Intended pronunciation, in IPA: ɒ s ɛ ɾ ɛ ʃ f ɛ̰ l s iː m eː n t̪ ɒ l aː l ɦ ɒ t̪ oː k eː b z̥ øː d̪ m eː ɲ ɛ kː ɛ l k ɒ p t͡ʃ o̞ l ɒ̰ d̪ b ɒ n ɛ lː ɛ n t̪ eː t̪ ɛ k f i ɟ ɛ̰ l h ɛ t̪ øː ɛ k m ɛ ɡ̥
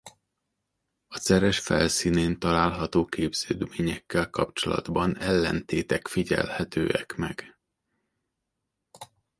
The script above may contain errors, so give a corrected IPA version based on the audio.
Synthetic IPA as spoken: ɒ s ɛ ɾ ɛ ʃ f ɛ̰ l s iː n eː n t̪ ɒ l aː l ɦ ɒ t̪ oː k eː b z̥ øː d̪ m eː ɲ ɛ kː ɛ l k ɒ p t͡ʃ o̞ l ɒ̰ d̪ b ɒ n ɛ lː ɛ n t̪ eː t̪ ɛ k f i ɟ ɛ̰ l h ɛ t̪ øː ɛ k m ɛ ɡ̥